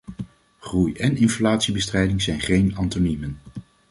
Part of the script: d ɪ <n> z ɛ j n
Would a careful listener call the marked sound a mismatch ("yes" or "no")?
yes